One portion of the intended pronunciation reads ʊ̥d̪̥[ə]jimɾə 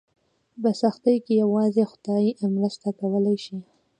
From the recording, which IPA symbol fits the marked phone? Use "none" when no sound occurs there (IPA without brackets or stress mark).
ɑ